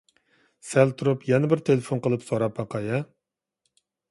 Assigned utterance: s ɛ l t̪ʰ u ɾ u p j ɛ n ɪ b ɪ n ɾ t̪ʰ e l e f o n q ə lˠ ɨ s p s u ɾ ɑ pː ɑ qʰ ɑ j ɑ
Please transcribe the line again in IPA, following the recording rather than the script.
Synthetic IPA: s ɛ l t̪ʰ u ɾ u p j ɛ n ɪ b ɪ ɾ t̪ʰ e l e f o n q ə lˠ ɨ p s o ɾ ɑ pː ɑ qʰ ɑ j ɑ